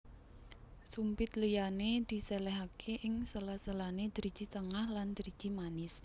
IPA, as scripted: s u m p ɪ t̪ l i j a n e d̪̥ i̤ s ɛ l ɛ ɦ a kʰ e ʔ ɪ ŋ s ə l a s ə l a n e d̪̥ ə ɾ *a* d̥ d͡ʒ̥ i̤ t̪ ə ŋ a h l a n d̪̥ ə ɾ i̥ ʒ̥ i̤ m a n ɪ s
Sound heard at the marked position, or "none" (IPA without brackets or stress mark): i